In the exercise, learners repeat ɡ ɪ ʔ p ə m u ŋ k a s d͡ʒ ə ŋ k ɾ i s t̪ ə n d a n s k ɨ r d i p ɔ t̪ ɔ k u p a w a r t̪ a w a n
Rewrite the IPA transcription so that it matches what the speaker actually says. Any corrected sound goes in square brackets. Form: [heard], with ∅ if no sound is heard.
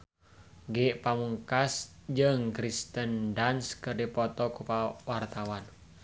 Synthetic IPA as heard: ɡ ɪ ʔ p [a] m u ŋ k a s d͡ʒ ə ŋ k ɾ i s t̪ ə n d a n s k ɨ r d i p ɔ t̪ ɔ k u p a w a r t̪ a w a n